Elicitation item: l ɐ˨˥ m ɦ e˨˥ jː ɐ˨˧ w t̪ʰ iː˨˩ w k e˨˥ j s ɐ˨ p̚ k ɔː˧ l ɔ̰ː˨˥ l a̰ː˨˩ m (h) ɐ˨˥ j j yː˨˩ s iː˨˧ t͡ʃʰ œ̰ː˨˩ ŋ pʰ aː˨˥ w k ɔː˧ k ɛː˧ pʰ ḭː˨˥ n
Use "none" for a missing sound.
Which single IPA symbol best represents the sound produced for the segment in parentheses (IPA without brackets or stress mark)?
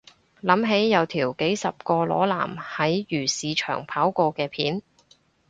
h